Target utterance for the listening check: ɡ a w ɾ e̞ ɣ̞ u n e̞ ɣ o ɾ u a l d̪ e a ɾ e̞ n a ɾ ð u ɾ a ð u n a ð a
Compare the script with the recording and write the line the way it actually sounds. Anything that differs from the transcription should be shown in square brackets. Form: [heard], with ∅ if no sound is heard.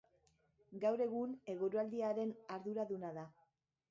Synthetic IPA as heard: ɡ a w ɾ e̞ ɣ̞ u n e̞ ɣ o ɾ u a l d̪ [i] a ɾ e̞ n a ɾ ð u ɾ a ð u n a ð a